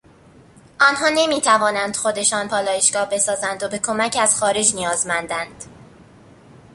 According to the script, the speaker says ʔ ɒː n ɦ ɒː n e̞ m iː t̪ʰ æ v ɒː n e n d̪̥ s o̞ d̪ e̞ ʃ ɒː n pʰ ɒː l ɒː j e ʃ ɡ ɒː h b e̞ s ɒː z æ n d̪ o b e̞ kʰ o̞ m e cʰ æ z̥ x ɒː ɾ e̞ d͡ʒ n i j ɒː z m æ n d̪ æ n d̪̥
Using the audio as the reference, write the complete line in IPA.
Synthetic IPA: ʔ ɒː n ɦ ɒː n e̞ m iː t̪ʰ æ v ɒː n æ n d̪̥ x o̞ d̪ e̞ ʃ ɒː n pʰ ɒː l ɒː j e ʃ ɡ ɒː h b e̞ s ɒː z æ n d̪ o b e̞ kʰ o̞ m æ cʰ æ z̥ x ɒː ɾ e̞ d͡ʒ n i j ɒː z m æ n d̪ æ n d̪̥